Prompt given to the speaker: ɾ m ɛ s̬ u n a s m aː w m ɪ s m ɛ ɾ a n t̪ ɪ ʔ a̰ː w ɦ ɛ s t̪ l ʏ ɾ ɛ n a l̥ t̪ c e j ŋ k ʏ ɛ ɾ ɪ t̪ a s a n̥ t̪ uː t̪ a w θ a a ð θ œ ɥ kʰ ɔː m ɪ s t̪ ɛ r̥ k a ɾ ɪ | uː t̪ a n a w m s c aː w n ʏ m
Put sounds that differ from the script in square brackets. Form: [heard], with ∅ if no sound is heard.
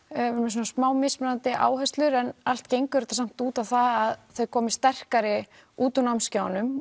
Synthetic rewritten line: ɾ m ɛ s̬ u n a s m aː w m ɪ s m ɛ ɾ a n t̪ ɪ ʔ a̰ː w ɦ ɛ s t̪ l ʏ ɾ ɛ n a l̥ t̪ c e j ŋ k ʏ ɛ ɾ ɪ t̪ a s a [m̥] t̪ uː t̪ a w θ a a ð θ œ ɥ kʰ ɔː m ɪ s t̪ ɛ r̥ k a ɾ ɪ | uː t̪ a n a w m s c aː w n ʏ m